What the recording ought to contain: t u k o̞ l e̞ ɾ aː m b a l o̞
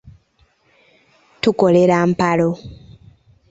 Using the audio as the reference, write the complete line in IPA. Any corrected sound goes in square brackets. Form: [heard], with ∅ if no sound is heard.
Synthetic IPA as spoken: t u k o̞ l e̞ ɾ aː m [p] a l o̞